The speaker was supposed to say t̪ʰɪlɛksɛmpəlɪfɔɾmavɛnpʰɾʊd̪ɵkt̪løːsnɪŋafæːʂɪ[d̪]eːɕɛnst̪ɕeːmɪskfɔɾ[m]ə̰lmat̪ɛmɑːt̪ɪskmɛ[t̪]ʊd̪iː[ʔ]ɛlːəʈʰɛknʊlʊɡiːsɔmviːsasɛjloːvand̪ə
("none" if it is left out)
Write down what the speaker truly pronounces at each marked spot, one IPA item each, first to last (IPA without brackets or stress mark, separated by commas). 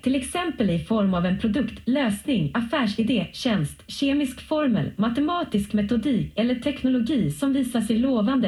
d̪, m, t̪, k